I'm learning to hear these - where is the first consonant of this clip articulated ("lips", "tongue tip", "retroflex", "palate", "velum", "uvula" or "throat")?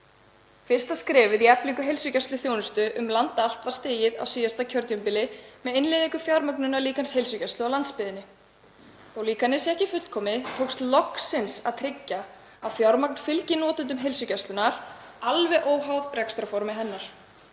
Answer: lips